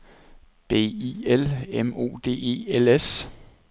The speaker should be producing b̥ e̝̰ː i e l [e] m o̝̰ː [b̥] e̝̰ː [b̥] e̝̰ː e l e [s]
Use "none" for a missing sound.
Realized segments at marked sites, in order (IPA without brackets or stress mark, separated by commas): e, d̥, none, s